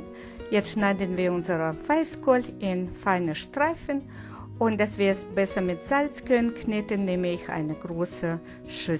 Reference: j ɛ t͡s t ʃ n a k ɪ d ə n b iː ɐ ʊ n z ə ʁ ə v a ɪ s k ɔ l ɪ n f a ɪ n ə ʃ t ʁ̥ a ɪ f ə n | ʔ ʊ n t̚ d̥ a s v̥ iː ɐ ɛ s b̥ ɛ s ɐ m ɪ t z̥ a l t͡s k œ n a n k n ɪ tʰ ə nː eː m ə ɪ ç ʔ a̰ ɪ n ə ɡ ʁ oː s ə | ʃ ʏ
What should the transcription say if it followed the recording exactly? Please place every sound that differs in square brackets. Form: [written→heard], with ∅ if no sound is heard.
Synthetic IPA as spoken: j ɛ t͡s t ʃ n a [k→∅] ɪ d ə n [b→v] iː ɐ ʊ n z ə ʁ ə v a ɪ s k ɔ l ɪ n f a ɪ n ə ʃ t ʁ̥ a ɪ f ə n | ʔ ʊ n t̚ d̥ a s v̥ iː ɐ ɛ s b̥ ɛ s ɐ m ɪ t z̥ a l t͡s k œ n [a→ə] n k n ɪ [tʰ→t] ə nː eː m ə ɪ ç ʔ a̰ ɪ n ə ɡ ʁ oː s ə | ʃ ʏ

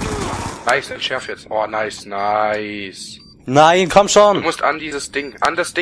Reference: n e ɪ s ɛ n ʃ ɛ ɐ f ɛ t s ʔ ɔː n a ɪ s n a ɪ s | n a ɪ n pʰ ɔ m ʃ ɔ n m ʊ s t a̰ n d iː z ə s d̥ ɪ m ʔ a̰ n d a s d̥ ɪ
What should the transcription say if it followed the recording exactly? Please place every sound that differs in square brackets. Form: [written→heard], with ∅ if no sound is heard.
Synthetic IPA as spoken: n [e→a] ɪ s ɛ n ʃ ɛ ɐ f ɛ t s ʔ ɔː n a ɪ s n a ɪ s | n a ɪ n [pʰ→kʰ] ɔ m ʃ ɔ n m ʊ s t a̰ n d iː z ə s d̥ ɪ [m→ŋ] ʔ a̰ n d a s d̥ ɪ

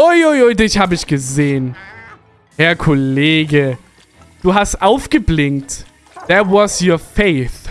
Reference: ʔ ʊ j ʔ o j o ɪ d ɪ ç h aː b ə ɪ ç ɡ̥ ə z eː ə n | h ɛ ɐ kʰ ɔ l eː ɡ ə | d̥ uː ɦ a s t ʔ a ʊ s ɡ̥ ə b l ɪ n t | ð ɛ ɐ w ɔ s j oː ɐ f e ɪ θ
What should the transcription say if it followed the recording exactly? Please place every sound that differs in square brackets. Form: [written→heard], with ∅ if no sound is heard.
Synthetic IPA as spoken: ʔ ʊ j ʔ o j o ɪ d ɪ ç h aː b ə ɪ ç ɡ̥ ə z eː ə n | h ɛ ɐ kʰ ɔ l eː ɡ ə | d̥ uː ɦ a s t ʔ a ʊ [s→f] ɡ̥ ə b l ɪ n t | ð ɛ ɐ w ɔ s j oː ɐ f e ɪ θ

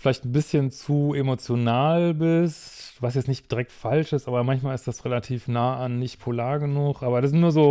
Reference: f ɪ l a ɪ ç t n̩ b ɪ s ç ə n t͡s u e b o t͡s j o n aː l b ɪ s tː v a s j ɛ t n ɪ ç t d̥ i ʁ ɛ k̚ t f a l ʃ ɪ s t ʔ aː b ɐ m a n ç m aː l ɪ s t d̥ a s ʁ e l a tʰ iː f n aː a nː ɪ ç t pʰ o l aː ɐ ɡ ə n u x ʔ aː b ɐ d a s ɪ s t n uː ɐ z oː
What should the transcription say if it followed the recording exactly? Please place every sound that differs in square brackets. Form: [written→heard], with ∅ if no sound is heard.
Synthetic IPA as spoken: f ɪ l a ɪ ç t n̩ b ɪ s ç ə n t͡s u e [b→m] o t͡s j o n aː l b ɪ s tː v a s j ɛ [t→t͡s] n ɪ ç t d̥ i ʁ ɛ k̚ t f a l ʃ ɪ s t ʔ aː b ɐ m a n ç m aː l ɪ s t d̥ a s ʁ e l a tʰ iː f n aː a nː ɪ ç t pʰ o l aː ɐ ɡ ə n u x ʔ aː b ɐ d a s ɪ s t n uː ɐ z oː

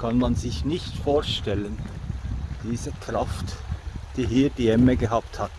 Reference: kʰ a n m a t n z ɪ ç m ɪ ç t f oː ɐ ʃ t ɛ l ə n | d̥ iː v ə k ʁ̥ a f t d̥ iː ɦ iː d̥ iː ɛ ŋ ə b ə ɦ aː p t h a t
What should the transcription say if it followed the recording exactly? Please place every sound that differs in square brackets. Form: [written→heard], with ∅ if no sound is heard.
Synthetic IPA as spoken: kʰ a n m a [t→∅] n z ɪ ç [m→n] ɪ ç t f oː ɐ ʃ t ɛ l ə n | d̥ iː [v→z] ə k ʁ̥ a f t d̥ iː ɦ iː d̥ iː ɛ [ŋ→m] ə [b→ɡ] ə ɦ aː p t h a t

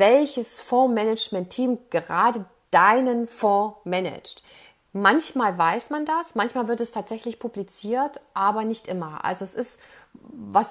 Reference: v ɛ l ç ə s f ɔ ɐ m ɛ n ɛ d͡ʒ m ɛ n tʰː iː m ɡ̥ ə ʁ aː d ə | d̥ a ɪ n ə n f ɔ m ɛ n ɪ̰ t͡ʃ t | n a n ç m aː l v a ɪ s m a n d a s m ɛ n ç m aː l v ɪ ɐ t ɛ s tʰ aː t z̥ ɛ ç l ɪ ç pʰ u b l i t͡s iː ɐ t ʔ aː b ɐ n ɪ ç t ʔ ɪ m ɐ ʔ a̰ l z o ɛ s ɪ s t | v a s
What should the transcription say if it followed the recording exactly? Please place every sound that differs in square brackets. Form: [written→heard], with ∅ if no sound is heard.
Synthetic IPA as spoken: v ɛ l ç ə s f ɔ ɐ m ɛ n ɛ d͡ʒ m ɛ n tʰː iː m ɡ̥ ə ʁ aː d ə | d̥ a ɪ n ə n f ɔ m ɛ n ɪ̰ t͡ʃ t | [n→m] a n ç m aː l v a ɪ s m a n d a s m [ɛ→a] n ç m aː l v ɪ ɐ t ɛ s tʰ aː t z̥ ɛ ç l ɪ ç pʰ u b l i t͡s iː ɐ t ʔ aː b ɐ n ɪ ç t ʔ ɪ m ɐ ʔ a̰ l z o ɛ s ɪ s t | v a s

